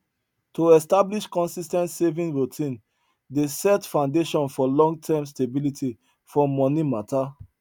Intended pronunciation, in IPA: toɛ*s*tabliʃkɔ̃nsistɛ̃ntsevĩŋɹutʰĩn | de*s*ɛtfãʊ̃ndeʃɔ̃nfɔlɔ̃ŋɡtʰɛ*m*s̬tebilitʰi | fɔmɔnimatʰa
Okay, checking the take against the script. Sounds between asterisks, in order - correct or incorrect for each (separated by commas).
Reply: correct, correct, correct